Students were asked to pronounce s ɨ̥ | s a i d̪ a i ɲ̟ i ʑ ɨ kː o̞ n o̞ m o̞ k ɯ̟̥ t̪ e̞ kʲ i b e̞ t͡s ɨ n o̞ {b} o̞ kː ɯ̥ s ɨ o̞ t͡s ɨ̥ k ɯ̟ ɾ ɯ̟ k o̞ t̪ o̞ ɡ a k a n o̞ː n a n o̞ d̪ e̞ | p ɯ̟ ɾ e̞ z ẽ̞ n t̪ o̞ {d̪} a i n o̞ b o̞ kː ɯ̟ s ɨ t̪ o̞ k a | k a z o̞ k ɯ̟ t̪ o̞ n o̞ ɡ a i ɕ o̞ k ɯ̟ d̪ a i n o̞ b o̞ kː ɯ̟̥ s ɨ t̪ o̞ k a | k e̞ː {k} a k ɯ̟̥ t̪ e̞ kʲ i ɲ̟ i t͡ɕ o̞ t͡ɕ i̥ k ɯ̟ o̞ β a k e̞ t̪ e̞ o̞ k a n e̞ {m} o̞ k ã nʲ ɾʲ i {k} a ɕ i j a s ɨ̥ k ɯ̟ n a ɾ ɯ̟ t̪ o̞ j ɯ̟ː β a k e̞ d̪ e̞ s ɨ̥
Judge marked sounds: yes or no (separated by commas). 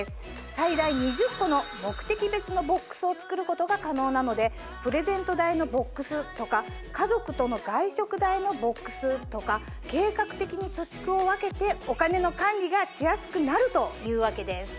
yes, yes, yes, no, no